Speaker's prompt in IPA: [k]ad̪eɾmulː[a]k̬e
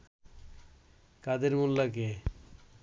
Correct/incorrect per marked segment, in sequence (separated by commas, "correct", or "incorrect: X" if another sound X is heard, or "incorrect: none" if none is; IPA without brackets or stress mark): correct, correct